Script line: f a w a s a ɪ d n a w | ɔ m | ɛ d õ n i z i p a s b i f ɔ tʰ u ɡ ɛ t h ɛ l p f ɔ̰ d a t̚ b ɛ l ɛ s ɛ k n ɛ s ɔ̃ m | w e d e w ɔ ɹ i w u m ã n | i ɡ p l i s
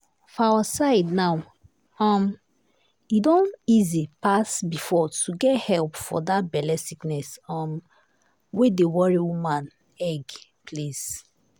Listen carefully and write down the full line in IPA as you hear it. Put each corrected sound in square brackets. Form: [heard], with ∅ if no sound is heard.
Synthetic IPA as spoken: f a w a s a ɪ d n a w | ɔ m | [i] d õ n i z i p a s b i f ɔ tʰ u ɡ ɛ t h ɛ l p f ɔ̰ d a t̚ b ɛ l ɛ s [i] k n ɛ s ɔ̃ m | w e d e w ɔ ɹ i w u m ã n | [ɛ] ɡ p l i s